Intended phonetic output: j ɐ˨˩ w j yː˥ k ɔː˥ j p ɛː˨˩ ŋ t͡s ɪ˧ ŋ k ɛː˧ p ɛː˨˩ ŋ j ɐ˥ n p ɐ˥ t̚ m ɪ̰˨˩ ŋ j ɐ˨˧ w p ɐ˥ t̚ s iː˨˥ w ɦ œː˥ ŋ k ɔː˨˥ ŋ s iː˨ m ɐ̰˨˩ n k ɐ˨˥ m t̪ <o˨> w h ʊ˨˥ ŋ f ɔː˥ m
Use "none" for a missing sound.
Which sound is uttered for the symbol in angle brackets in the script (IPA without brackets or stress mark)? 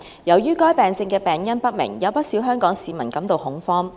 o˨